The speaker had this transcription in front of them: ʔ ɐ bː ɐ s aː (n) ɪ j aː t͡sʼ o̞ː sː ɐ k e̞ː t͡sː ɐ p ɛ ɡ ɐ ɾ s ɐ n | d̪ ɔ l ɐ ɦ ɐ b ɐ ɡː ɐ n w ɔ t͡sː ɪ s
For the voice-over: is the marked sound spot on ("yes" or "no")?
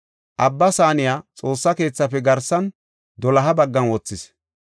yes